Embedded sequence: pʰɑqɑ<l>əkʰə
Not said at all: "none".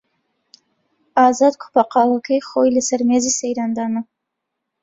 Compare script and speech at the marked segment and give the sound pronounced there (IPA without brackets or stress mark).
l